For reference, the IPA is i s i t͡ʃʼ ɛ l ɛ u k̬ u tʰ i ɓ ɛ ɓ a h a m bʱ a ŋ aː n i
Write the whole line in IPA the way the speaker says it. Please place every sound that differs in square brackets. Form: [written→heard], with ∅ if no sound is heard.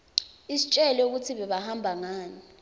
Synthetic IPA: i s i t͡ʃʼ ɛ l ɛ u k̬ u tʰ i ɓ ɛ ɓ a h a m bʱ a ŋ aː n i